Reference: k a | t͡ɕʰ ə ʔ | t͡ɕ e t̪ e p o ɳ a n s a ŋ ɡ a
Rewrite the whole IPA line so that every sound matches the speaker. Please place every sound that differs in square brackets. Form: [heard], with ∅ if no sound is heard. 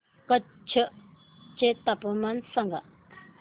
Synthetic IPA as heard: k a | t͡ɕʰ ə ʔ | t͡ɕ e t̪ [a] p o [m] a n s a ŋ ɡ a